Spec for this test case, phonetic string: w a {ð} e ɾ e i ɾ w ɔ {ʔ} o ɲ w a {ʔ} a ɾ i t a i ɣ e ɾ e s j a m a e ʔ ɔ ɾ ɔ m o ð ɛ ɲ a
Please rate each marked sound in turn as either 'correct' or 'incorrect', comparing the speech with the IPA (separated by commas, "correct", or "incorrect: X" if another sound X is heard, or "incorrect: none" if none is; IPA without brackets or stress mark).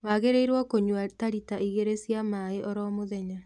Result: incorrect: ɣ, incorrect: k, incorrect: t